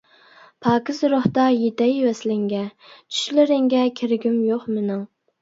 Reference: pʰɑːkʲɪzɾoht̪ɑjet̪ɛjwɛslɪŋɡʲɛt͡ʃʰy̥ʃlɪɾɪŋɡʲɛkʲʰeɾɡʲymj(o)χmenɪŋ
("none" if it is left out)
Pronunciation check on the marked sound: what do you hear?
o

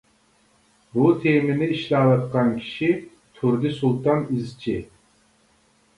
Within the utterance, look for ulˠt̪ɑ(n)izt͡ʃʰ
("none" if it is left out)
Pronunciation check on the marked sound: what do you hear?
n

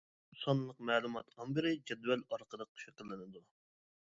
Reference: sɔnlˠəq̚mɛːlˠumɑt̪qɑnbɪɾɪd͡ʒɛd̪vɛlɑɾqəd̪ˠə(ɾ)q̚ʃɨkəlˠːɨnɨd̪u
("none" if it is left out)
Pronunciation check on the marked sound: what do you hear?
none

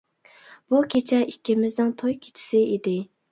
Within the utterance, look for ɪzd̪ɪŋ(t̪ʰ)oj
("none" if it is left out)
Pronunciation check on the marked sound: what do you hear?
t̪ʰ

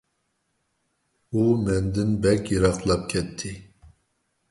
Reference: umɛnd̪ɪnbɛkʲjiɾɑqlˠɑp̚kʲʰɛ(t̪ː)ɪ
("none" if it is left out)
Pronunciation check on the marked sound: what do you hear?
t̪ʰː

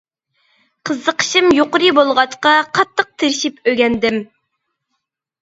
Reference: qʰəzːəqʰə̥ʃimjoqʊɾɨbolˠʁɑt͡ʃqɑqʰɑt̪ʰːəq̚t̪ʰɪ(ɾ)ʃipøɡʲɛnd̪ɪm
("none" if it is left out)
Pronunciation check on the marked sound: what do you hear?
ɾ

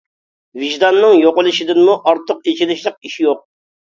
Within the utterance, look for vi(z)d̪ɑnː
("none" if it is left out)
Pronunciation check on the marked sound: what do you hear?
ʒ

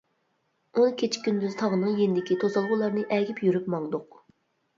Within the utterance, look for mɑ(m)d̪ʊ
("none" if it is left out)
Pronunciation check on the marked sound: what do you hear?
ŋ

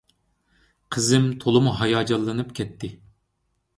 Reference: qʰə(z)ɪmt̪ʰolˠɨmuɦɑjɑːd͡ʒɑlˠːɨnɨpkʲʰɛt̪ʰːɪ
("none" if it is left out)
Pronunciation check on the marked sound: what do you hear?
z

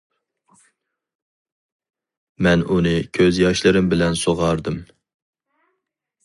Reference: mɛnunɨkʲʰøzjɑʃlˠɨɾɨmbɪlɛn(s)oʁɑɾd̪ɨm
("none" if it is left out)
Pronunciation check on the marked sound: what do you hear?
s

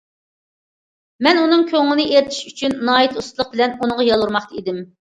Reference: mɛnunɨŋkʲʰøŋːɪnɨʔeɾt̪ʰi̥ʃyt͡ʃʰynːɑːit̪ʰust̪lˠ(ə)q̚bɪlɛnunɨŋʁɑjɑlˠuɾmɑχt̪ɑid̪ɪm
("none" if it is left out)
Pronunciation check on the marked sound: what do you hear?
ə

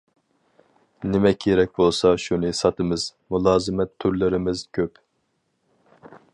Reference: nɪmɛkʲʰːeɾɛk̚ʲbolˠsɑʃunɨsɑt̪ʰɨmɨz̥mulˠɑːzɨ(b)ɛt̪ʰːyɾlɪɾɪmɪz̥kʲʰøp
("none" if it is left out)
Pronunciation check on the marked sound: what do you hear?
m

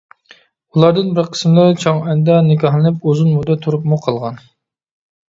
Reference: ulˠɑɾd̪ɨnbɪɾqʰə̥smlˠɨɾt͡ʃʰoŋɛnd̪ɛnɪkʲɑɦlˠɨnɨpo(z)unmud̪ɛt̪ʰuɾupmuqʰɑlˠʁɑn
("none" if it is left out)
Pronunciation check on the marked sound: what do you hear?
z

